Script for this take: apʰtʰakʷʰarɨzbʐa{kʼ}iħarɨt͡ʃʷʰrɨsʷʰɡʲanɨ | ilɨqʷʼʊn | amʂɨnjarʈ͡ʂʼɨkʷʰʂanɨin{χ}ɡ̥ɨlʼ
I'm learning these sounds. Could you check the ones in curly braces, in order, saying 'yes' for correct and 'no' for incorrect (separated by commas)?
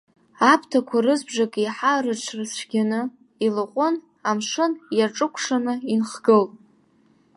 yes, yes